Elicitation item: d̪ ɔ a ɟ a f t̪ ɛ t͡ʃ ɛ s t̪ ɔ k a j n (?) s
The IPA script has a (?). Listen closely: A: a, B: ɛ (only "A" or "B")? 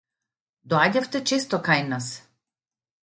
A